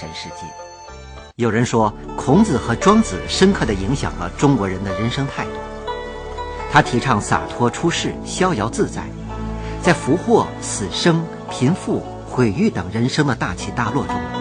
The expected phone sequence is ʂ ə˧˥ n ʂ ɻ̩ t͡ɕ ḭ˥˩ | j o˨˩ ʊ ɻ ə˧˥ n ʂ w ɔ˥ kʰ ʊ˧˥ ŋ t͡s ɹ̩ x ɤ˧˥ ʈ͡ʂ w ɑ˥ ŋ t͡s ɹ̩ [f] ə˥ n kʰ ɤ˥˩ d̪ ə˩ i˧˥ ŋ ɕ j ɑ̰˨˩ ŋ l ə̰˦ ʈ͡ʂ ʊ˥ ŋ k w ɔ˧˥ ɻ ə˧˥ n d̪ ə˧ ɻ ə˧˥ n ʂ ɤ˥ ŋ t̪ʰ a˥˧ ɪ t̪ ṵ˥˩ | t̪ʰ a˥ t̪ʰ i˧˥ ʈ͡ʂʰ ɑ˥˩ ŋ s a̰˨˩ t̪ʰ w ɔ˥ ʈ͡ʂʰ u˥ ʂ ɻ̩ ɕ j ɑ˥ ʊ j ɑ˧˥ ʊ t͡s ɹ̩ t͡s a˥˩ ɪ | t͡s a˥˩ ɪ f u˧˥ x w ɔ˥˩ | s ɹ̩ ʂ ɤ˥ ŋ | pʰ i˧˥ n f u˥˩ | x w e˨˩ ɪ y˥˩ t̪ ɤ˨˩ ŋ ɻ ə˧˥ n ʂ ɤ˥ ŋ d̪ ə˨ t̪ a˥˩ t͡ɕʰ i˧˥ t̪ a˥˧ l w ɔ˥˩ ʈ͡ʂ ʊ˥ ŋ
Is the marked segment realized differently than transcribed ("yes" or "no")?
yes